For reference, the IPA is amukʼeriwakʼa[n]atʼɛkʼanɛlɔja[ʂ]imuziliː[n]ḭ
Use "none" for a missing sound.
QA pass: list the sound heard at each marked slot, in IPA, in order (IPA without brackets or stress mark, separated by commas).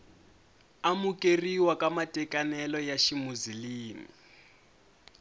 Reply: m, ʃ, m